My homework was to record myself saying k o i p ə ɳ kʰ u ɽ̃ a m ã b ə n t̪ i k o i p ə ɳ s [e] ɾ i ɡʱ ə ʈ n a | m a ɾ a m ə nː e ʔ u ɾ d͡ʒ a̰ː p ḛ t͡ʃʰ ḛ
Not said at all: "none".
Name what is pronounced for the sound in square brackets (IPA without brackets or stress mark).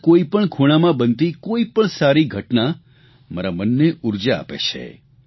a